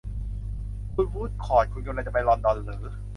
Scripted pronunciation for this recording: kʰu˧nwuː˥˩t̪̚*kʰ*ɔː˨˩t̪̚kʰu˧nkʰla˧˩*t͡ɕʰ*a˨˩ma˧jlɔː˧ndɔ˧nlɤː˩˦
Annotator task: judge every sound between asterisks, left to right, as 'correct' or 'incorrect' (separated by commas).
correct, incorrect